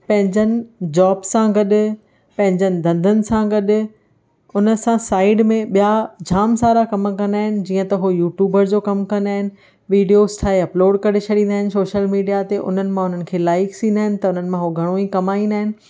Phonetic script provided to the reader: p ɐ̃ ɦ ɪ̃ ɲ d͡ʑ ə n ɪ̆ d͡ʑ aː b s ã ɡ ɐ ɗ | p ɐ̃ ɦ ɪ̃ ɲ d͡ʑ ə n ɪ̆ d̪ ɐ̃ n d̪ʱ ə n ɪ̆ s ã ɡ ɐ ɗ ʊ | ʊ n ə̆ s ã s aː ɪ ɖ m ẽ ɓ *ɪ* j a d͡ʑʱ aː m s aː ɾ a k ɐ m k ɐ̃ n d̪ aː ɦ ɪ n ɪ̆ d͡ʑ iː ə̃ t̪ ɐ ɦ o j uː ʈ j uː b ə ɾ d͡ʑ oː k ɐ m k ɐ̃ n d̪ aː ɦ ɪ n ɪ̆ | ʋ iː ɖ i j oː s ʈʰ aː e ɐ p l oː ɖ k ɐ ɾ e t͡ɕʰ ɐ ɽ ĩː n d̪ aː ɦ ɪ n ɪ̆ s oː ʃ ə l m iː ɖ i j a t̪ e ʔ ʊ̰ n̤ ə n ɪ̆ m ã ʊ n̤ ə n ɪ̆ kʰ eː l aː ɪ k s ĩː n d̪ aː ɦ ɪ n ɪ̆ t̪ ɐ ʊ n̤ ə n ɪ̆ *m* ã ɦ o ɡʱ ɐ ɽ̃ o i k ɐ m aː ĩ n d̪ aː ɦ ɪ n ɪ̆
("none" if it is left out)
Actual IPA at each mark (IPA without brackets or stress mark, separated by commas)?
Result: i, m